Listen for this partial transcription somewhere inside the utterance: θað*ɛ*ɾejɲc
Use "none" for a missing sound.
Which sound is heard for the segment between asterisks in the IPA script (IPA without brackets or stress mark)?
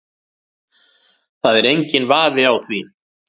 ɛ